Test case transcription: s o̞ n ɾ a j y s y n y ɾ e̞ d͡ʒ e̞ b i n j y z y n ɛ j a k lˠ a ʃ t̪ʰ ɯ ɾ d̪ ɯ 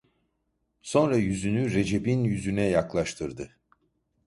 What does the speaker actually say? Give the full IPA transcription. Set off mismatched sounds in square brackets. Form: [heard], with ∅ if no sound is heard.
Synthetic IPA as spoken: s o̞ n ɾ a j y [z] y n y ɾ e̞ d͡ʒ e̞ b i n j y z y n ɛ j a k lˠ a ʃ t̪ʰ ɯ ɾ d̪ ɯ